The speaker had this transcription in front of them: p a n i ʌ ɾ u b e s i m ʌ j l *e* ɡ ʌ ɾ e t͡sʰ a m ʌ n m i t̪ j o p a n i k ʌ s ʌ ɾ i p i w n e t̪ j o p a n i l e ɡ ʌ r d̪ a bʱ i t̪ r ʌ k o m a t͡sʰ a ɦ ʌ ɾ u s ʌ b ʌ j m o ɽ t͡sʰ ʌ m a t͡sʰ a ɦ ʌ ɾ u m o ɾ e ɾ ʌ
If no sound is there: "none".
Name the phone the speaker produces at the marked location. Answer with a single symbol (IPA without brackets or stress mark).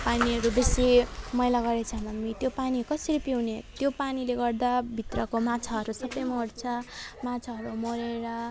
a